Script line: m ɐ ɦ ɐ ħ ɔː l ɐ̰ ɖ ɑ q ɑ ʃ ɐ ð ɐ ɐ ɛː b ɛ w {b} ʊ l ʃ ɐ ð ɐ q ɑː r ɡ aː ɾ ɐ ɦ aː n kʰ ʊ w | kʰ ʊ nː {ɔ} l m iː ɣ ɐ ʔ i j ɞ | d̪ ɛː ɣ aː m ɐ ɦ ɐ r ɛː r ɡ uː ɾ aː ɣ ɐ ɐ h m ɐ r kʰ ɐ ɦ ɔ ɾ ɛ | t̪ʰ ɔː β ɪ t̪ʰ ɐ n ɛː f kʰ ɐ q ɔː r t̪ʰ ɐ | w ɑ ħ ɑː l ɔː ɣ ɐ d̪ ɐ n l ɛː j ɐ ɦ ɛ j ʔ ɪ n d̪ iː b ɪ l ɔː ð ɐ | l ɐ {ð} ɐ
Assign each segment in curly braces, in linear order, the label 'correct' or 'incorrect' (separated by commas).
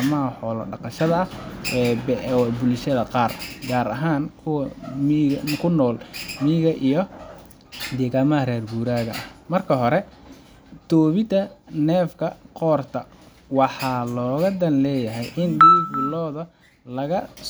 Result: correct, incorrect, incorrect